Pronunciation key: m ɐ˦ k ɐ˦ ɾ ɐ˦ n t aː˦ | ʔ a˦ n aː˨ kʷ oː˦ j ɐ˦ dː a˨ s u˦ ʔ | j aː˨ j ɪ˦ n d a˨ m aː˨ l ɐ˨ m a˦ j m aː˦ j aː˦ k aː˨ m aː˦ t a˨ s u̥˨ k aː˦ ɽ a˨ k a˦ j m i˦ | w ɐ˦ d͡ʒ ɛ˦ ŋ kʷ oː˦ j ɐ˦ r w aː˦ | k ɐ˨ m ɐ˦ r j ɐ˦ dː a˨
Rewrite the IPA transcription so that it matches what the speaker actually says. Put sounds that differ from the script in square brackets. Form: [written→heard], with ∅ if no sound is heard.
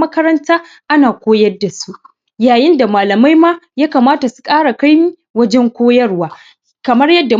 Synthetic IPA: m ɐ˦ k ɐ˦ ɾ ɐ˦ n t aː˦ | ʔ a˦ n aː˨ kʷ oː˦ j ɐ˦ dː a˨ s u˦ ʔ | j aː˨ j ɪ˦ n d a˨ m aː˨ l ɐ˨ m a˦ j m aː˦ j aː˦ k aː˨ m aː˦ t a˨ s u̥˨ [k→kʼ] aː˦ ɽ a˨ k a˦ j m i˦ | w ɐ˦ d͡ʒ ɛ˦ ŋ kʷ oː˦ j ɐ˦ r w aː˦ | k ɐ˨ m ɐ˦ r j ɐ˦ dː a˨